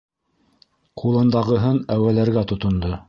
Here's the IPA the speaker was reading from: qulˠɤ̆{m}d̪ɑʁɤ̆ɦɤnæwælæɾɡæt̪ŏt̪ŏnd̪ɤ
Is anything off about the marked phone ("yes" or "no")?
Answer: yes